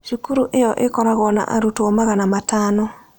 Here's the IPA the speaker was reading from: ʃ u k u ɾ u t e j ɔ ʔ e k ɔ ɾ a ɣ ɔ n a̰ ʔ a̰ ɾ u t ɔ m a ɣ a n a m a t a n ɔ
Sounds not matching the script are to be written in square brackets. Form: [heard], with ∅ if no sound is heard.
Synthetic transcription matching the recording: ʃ u k u ɾ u [ʔ] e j ɔ ʔ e k ɔ ɾ a ɣ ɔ n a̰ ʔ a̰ ɾ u t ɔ m a ɣ a n a m a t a n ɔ